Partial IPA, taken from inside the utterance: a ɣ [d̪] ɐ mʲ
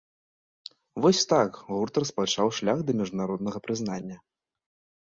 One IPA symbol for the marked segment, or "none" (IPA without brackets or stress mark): d̪